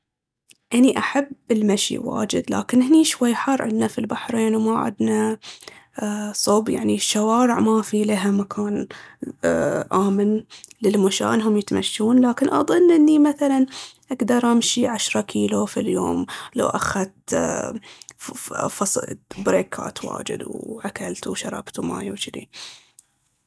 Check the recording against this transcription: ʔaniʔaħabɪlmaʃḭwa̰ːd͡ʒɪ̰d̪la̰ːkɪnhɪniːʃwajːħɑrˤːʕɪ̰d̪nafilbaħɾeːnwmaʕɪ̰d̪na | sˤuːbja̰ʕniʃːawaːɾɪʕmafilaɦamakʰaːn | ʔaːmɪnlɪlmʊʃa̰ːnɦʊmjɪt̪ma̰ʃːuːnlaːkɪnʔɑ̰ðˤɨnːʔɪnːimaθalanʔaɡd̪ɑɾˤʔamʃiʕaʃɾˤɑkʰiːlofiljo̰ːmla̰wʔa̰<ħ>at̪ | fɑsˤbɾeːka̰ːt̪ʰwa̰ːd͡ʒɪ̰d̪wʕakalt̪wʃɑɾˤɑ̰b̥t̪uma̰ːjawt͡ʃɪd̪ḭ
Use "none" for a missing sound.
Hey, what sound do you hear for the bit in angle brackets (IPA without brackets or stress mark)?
x